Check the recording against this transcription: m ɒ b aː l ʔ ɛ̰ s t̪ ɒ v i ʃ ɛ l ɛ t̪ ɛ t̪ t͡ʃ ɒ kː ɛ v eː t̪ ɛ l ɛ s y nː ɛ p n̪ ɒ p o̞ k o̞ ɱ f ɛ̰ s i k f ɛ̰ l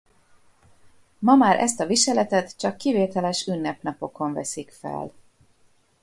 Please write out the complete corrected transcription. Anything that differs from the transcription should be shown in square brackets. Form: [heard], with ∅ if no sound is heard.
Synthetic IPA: m ɒ [m] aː [ɾ] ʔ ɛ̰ s t̪ ɒ v i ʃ ɛ l ɛ t̪ ɛ t̪ t͡ʃ ɒ kː [i] v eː t̪ ɛ l ɛ [ʃ] y nː ɛ p n̪ ɒ p o̞ k o̞ ɱ [v] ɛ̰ s i k f ɛ̰ l